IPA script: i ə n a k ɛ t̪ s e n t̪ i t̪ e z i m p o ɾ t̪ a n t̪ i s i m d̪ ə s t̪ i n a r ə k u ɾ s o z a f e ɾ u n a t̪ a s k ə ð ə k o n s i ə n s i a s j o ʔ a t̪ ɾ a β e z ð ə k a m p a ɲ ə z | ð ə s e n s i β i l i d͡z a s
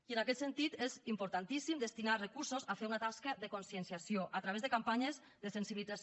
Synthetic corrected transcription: i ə n a k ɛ t̪ s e n t̪ i t̪ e z i m p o ɾ t̪ a n t̪ i s i m d̪ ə s t̪ i n a r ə k u ɾ s o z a f e ɾ u n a t̪ a s k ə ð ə k o n s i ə n s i a s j o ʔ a t̪ ɾ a β e z ð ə k a m p a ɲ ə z | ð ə s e n s i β i l i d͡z a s